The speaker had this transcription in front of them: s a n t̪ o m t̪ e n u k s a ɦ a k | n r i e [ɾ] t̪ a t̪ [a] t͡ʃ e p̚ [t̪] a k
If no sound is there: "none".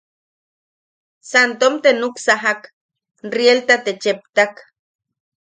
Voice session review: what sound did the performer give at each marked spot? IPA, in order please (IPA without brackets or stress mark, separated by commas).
l, e, t̪